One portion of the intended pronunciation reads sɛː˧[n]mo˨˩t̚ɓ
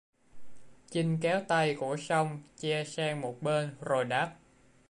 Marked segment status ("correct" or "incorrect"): incorrect